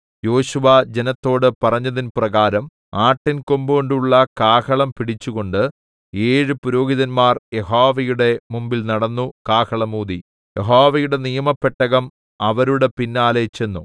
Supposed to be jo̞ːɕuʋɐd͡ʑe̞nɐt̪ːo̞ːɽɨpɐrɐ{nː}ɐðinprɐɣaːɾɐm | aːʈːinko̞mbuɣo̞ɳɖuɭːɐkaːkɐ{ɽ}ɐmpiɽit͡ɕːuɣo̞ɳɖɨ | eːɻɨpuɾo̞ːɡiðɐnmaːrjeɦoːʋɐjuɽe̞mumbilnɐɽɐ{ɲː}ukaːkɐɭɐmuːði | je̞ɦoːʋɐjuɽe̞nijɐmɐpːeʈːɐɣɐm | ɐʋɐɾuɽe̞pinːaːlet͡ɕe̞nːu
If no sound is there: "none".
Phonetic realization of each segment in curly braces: ɲː, ɭ, nː

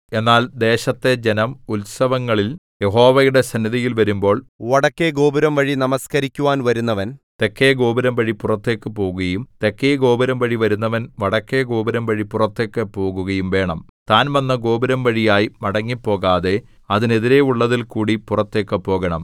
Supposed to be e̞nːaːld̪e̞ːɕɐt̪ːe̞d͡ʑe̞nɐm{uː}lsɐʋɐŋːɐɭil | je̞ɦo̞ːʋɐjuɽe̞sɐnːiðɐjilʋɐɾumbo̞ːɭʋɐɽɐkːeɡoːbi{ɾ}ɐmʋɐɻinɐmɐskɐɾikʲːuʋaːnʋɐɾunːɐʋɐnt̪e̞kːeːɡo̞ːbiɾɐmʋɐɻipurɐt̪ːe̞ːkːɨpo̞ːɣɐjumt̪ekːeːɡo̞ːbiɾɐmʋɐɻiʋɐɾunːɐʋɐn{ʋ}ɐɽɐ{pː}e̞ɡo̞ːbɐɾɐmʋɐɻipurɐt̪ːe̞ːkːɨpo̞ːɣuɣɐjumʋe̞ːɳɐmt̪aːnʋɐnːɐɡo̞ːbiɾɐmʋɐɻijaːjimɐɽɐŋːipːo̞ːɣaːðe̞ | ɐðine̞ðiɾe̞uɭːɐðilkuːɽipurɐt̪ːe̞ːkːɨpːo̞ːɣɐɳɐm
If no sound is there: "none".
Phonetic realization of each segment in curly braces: u, ɾ, ʋ, kː

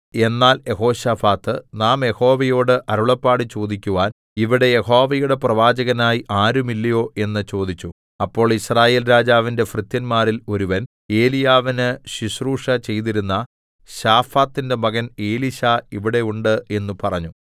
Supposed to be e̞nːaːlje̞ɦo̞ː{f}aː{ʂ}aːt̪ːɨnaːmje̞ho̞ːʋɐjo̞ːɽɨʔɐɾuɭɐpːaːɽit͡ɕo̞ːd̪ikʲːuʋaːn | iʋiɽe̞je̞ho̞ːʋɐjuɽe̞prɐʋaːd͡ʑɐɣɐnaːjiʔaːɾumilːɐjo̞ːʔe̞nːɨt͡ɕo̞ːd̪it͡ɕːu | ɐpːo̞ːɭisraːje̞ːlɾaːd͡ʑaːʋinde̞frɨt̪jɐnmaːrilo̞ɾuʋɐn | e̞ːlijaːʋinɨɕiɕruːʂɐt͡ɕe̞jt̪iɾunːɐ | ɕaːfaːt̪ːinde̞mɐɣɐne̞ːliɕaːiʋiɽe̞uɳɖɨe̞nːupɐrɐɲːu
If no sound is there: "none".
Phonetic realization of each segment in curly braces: ɕ, f

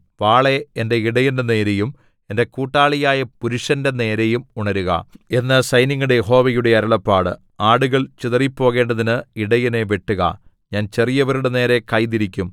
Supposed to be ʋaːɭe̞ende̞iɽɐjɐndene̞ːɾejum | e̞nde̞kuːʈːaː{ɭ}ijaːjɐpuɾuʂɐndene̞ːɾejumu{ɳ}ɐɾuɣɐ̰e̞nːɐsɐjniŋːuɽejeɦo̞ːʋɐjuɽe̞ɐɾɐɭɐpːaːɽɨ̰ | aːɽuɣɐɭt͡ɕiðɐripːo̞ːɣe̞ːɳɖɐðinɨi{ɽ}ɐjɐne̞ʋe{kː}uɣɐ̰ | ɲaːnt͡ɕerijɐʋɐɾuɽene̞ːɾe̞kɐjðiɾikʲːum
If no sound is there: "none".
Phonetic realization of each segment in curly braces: ɭ, ɳ, ɽ, ʈː

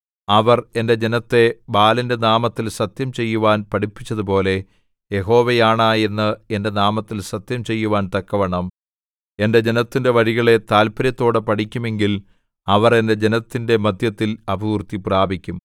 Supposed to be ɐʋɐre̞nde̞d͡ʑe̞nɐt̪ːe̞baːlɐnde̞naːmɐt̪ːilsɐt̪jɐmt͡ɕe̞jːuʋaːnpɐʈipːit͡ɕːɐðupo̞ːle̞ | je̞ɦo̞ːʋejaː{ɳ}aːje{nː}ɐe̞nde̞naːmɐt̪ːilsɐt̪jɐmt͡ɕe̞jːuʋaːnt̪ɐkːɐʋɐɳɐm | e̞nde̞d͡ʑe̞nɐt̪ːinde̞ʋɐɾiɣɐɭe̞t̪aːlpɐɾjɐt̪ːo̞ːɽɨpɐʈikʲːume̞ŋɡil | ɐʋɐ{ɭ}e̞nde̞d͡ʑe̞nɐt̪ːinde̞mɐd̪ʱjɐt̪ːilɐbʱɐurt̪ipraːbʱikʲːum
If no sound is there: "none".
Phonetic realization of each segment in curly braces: ɳ, nː, r

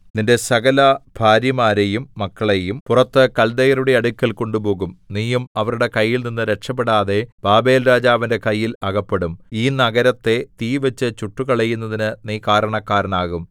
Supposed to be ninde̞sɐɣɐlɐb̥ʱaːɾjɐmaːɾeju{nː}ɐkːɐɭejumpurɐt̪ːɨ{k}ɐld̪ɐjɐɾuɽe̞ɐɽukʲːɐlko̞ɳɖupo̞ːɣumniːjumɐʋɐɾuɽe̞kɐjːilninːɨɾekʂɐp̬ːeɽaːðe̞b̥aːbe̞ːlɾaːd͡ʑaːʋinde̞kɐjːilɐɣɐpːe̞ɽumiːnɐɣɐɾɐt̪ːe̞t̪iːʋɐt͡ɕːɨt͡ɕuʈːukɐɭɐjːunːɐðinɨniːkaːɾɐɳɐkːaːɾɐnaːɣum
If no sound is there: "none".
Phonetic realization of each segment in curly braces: mː, k

